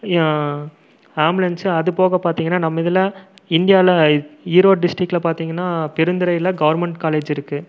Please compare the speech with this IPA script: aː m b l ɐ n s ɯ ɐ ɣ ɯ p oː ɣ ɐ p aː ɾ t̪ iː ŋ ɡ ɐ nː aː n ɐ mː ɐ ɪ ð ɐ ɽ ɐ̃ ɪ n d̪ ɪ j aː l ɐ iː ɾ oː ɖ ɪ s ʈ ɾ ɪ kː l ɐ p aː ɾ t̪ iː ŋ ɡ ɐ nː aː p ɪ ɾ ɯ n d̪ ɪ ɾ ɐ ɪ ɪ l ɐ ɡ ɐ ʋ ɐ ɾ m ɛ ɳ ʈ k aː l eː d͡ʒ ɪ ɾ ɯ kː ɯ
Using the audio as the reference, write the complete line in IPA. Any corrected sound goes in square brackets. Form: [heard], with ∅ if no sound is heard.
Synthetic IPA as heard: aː m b l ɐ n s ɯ ɐ [ð] ɯ p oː ɣ ɐ p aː ɾ t̪ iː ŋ ɡ ɐ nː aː n ɐ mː ɐ ɪ ð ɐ [l] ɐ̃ ɪ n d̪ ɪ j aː l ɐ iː ɾ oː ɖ ɪ s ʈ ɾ ɪ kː l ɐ p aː ɾ t̪ iː ŋ ɡ ɐ nː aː p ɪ ɾ ɯ n d̪ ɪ ɾ ɐ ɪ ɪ l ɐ ɡ ɐ ʋ ɐ ɾ m ɛ ɳ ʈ k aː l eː d͡ʒ ɪ ɾ ɯ kː ɯ